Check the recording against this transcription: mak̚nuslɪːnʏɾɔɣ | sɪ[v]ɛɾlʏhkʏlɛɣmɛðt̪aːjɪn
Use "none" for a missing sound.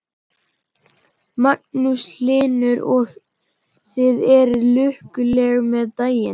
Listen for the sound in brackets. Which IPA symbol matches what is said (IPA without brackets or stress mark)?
ð